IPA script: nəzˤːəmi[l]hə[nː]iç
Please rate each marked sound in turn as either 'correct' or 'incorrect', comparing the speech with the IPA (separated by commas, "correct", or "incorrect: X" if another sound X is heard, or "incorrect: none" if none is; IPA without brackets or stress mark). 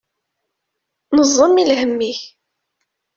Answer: correct, incorrect: mː